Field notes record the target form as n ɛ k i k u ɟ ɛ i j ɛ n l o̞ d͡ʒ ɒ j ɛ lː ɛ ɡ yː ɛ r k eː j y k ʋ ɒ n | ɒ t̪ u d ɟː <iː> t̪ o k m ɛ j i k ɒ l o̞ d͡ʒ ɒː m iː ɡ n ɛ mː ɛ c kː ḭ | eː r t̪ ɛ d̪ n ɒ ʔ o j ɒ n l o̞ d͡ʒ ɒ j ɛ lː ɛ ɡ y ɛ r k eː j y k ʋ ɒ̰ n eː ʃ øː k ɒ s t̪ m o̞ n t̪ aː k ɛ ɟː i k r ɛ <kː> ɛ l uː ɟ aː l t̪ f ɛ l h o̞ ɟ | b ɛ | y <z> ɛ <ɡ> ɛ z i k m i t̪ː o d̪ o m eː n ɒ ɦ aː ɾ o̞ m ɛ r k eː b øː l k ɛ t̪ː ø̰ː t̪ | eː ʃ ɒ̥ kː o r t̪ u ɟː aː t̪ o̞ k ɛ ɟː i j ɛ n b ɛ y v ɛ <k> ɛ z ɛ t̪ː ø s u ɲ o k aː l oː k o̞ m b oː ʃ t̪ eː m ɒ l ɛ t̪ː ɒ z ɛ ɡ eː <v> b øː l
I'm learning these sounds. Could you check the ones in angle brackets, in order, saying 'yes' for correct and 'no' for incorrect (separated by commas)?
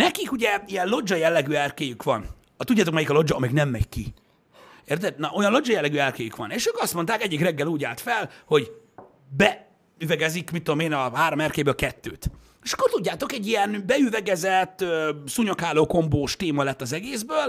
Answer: no, no, no, yes, no, no